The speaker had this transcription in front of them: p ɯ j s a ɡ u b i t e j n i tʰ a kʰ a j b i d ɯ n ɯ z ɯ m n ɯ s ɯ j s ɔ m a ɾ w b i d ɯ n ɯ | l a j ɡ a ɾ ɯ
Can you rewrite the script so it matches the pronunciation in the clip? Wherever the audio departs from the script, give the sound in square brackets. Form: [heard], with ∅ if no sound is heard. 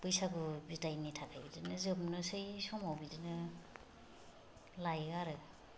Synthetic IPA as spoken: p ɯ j s a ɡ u b i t [a] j n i tʰ a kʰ a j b i d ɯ n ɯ z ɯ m n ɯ s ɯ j s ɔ m a [∅] w b i d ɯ n ɯ | l a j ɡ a ɾ ɯ